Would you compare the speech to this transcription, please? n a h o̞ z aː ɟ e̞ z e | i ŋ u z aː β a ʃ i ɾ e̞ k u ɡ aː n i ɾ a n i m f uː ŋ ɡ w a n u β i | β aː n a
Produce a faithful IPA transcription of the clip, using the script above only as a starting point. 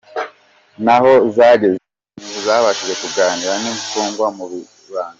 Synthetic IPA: n a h o̞ z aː ɟ e̞ z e | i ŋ u z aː β a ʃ i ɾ e̞ k u ɡ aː n i ɾ a n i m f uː ŋ ɡ w a m u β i | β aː n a